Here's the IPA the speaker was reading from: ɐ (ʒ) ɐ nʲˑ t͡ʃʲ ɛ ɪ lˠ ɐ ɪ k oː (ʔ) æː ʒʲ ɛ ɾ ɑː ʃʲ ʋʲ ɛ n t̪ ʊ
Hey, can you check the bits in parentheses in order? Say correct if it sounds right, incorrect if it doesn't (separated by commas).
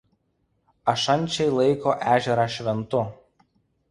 incorrect, correct